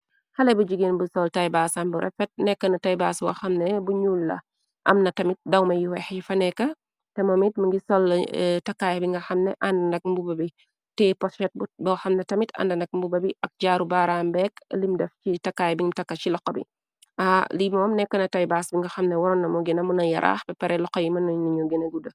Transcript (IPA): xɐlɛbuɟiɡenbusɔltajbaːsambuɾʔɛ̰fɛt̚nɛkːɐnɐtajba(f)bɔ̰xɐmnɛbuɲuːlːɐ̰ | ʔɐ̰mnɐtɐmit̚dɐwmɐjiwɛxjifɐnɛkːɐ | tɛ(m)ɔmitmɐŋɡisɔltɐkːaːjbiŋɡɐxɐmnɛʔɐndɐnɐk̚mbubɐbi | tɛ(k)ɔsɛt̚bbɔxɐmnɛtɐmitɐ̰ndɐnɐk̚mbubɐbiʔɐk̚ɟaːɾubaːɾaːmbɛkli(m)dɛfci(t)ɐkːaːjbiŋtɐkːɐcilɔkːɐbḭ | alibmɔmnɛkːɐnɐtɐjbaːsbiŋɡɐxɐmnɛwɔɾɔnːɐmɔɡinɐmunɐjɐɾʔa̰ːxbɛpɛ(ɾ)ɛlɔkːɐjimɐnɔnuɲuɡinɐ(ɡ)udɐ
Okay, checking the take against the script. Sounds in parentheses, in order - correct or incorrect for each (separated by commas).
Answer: incorrect, correct, incorrect, correct, correct, correct, correct